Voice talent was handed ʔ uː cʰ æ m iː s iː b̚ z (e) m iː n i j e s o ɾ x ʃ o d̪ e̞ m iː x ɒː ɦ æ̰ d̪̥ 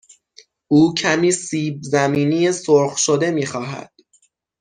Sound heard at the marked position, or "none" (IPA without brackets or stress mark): æ